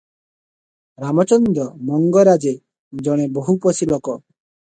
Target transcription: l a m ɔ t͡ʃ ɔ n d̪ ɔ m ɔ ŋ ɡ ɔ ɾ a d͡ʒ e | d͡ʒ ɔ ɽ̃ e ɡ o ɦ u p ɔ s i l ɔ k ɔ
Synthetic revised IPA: ɾ a m ɔ t͡ʃ ɔ n d̪ ɔ m ɔ ŋ ɡ ɔ ɾ a d͡ʒ e | d͡ʒ ɔ ɽ̃ e b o ɦ u p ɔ s i l ɔ k ɔ